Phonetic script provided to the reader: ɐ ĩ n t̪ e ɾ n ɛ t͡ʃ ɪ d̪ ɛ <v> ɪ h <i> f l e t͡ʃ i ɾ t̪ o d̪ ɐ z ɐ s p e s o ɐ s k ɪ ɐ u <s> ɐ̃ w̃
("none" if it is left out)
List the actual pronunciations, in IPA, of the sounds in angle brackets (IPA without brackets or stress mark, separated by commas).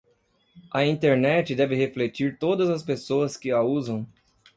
v, e, z